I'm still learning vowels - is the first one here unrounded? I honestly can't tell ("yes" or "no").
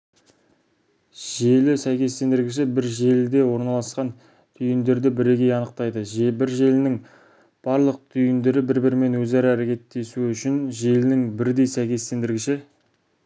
yes